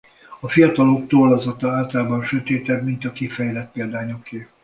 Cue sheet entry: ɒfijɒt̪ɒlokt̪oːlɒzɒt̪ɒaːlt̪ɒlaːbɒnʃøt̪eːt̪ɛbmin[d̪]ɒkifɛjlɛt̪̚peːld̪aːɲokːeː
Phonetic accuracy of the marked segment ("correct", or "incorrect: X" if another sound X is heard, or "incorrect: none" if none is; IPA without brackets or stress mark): incorrect: t̪